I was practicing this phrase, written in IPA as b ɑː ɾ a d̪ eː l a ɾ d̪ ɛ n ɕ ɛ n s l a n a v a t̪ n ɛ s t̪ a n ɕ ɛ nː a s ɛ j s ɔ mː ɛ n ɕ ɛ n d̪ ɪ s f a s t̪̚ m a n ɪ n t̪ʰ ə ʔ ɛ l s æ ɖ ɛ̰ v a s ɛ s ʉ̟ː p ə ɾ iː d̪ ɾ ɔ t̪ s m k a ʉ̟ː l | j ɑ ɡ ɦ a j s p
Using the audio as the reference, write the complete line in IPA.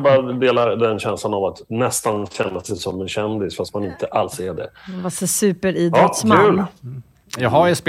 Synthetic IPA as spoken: b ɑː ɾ a d̪ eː l a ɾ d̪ ɛ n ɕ ɛ n s l a n a v a t̪ n ɛ s t̪ a n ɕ ɛ nː a s ɛ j s ɔ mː ɛ n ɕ ɛ n d̪ ɪ s f a s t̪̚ m a n ɪ n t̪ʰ ə ʔ a l s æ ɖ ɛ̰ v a s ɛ s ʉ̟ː p ə ɾ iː d̪ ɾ ɔ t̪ s m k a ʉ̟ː l | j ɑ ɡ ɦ a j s p